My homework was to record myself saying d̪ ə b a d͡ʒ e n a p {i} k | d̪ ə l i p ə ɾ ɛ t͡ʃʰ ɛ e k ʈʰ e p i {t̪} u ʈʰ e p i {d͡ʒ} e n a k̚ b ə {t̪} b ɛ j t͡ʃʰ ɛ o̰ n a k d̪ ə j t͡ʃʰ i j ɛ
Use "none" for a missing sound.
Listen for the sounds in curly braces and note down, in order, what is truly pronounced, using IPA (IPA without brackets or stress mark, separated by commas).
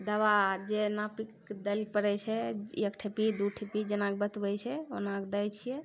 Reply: i, d̪, d͡ʒ, t̪